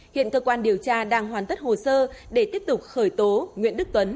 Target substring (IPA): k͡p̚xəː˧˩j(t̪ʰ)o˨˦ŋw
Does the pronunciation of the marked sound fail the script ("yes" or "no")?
yes